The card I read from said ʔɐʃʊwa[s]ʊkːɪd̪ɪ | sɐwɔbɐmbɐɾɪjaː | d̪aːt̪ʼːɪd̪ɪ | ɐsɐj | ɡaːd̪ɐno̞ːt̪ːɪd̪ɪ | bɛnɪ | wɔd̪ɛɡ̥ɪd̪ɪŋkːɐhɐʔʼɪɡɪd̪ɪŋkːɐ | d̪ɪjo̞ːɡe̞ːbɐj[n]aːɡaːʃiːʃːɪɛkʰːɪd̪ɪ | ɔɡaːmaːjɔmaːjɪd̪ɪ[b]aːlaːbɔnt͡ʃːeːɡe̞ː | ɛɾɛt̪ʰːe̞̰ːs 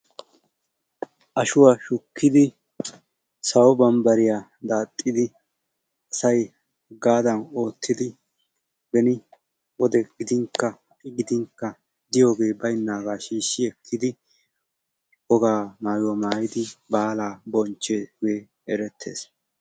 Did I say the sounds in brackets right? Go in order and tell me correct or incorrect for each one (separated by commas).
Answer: incorrect, incorrect, correct